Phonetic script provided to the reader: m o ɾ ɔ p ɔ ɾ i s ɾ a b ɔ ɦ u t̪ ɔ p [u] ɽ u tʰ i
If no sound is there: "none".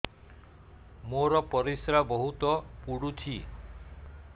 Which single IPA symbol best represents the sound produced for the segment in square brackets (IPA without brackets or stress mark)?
u